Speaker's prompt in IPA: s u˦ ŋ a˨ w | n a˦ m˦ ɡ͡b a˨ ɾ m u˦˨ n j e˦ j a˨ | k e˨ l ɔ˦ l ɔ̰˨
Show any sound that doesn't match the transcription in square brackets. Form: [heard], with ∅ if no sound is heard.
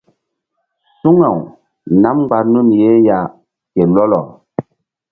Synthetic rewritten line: s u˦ ŋ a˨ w | n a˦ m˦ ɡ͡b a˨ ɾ [n] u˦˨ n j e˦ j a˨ | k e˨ l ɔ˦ l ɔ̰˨